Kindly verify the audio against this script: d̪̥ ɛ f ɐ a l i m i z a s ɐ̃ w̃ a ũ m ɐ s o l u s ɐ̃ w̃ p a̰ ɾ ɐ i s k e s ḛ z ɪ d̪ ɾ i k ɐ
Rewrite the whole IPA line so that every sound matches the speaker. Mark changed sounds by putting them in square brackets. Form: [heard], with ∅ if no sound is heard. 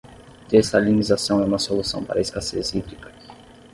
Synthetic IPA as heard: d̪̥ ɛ [s] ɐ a l i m i z a s ɐ̃ w̃ [ɛ] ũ m ɐ s o l u s ɐ̃ w̃ p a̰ ɾ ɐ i s k [a] s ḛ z [i] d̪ ɾ i k ɐ

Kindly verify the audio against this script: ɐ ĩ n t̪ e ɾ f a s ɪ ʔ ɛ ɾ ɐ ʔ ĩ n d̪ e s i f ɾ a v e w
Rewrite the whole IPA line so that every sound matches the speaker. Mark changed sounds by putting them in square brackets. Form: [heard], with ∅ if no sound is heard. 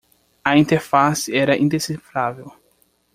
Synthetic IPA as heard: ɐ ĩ n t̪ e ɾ f a s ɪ [∅] ɛ ɾ ɐ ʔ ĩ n d̪ e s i f ɾ a v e w

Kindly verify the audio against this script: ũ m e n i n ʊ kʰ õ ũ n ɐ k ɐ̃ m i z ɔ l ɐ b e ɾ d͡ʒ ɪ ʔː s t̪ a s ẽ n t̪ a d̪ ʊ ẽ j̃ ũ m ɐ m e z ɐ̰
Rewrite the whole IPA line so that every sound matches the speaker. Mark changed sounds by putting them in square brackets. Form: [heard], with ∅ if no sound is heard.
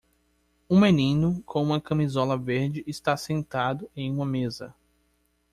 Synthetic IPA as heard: ũ m e n [ĩ] n ʊ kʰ õ ũ [m] ɐ k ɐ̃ m i z ɔ l ɐ [v] e ɾ d͡ʒ ɪ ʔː s t̪ a s ẽ n t̪ a d̪ ʊ ẽ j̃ ũ m ɐ m e z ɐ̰

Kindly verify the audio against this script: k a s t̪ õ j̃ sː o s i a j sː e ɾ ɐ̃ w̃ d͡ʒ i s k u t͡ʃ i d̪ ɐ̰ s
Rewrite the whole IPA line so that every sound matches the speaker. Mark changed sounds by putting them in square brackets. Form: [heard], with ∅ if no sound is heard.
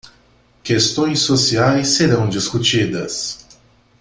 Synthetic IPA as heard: k [e] s t̪ õ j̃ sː o s i a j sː e ɾ ɐ̃ w̃ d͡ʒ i s k u t͡ʃ i d̪ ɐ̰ s

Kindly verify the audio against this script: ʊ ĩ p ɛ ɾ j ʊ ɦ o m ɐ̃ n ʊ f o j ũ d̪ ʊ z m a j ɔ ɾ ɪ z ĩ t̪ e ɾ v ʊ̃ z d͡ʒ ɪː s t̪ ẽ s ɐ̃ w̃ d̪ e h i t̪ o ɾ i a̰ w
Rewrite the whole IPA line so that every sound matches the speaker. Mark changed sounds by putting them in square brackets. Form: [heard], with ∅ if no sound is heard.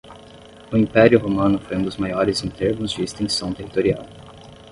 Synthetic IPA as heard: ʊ ĩ p ɛ ɾ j ʊ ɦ o m ɐ̃ n ʊ f o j ũ d̪ ʊ z m a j ɔ ɾ ɪ z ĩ t̪ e ɾ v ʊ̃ z d͡ʒ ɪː s t̪ ẽ s ɐ̃ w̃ [t̪] e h i t̪ o ɾ i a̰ w

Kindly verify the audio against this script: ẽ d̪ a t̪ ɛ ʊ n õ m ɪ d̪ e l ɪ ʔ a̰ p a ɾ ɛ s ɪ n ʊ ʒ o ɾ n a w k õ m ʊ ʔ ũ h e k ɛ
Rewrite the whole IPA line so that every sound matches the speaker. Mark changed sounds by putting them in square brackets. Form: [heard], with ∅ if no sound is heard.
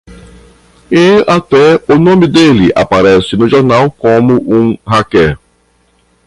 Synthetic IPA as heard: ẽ [∅] a t̪ ɛ ʊ n õ m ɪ d̪ e l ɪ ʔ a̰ p a ɾ ɛ s ɪ n ʊ ʒ o ɾ n a w k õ m ʊ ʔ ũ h [a] k ɛ

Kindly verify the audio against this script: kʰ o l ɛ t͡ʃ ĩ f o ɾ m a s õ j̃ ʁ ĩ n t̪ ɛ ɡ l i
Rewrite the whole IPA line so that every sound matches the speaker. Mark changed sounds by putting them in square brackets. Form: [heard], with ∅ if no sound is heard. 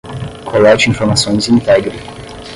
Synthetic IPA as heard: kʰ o l ɛ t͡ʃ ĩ f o ɾ m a s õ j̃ [z] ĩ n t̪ ɛ ɡ [ɾ] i

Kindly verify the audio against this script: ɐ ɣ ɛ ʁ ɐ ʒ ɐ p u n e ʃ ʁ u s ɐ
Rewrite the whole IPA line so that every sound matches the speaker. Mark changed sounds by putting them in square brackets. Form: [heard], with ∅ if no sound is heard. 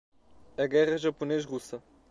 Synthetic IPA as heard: ɐ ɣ ɛ ʁ ɐ ʒ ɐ p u n e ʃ ʁ u s ɐ

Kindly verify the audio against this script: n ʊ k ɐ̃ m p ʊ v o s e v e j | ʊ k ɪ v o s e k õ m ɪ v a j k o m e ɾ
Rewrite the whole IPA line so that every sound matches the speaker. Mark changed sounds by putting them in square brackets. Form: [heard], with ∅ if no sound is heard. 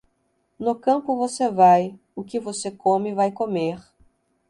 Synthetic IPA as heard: n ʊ k ɐ̃ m p ʊ v o s e v [a] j | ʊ k ɪ v o s e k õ m ɪ v a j k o m e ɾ

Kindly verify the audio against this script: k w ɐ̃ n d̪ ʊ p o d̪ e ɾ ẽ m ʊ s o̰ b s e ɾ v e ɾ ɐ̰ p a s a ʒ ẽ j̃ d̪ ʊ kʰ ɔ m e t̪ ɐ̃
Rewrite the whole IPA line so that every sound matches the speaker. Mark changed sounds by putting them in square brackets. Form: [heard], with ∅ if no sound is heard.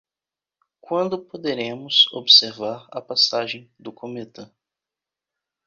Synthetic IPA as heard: k w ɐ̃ n d̪ ʊ p o d̪ e ɾ ẽ m ʊ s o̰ b s e ɾ v [a] ɾ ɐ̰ p a s a ʒ ẽ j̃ d̪ ʊ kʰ [o] m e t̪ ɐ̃

